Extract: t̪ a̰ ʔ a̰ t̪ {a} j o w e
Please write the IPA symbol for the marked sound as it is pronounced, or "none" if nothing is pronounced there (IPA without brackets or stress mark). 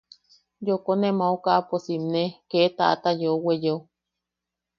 a